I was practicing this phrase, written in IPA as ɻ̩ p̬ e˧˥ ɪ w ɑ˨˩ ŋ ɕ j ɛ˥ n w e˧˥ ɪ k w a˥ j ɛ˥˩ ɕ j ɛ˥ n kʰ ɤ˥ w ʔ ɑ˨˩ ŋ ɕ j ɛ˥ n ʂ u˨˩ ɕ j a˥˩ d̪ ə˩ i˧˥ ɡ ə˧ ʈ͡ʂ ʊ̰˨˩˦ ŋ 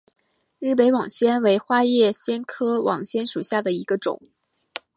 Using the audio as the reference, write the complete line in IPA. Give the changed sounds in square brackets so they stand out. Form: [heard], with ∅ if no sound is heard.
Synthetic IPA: ɻ̩ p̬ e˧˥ ɪ w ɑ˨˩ ŋ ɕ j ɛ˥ n w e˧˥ ɪ [x] w a˥ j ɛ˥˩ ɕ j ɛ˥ n kʰ ɤ˥ w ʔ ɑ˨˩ ŋ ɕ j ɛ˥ n ʂ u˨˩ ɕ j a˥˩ d̪ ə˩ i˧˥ ɡ ə˧ ʈ͡ʂ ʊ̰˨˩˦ ŋ